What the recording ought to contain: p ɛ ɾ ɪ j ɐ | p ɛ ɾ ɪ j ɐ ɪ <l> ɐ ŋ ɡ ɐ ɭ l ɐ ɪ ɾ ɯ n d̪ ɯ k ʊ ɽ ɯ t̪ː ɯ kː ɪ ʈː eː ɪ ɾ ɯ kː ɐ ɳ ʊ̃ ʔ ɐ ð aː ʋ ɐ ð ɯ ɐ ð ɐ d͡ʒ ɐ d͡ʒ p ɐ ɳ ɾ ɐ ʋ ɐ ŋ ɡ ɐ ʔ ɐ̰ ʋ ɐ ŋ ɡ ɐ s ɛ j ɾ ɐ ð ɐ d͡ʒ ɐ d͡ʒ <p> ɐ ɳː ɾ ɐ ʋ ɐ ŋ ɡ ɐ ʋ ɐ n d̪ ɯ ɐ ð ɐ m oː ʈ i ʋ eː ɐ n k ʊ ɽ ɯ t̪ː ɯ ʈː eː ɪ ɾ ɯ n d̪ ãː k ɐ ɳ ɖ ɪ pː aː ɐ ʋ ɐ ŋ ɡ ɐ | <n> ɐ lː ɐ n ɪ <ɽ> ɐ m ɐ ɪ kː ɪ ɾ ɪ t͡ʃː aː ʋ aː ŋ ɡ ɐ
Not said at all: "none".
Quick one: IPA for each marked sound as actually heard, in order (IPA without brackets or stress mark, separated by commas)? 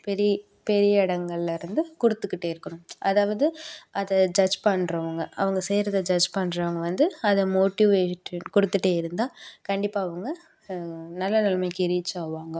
ɽ, p, n, l